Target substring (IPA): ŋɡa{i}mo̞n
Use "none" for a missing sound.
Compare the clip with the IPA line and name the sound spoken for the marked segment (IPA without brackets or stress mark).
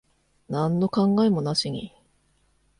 e